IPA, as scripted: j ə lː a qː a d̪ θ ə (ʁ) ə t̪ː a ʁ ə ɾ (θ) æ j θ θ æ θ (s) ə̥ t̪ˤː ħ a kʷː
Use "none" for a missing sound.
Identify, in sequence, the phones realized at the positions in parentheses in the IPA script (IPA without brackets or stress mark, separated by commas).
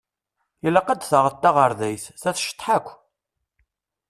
ʁ, ð, ʃ